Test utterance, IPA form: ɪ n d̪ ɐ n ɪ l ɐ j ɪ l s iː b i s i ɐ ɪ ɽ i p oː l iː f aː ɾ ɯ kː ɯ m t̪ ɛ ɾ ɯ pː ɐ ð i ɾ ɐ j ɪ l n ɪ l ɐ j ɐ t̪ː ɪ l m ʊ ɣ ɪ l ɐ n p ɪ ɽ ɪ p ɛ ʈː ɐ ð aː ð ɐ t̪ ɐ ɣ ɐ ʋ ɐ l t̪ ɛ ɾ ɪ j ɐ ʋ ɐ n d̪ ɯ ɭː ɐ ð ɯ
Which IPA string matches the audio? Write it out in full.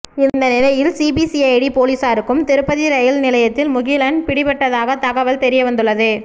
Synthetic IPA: ɪ n d̪ ɐ n ɪ l ɐ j ɪ l s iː b i s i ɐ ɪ ɽ i p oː l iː s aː ɾ ɯ kː ɯ m t̪ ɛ ɾ ɯ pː ɐ ð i ɾ ɐ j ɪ l n ɪ l ɐ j ɐ t̪ː ɪ l m ʊ ɣ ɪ l ɐ n p ɪ ɽ ɪ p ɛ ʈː ɐ ð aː ɣ ɐ t̪ ɐ ɣ ɐ ʋ ɐ l t̪ ɛ ɾ ɪ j ɐ ʋ ɐ n d̪ ɯ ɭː ɐ ð ɯ